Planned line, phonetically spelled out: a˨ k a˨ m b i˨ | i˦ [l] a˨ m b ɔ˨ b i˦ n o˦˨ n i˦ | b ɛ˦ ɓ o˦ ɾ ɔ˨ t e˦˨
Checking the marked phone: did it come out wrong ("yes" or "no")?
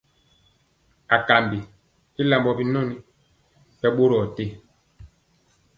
no